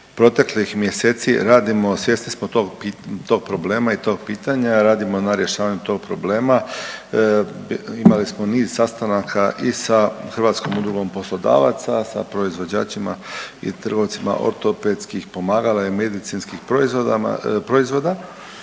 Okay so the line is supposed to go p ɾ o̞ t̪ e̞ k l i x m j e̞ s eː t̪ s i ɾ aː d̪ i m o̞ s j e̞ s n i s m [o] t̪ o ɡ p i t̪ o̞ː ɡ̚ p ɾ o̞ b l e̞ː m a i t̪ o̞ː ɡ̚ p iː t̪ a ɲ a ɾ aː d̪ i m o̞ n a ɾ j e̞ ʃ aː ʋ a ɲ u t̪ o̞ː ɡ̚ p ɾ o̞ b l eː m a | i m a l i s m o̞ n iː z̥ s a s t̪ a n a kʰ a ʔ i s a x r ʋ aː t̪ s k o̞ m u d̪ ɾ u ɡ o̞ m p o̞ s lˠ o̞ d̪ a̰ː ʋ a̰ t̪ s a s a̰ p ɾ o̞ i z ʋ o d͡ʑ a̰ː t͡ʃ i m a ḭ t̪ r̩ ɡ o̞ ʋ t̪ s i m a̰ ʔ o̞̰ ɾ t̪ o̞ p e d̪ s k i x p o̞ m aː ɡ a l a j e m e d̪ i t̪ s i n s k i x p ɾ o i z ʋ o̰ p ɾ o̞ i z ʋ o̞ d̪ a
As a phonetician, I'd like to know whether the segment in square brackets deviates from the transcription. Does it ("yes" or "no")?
no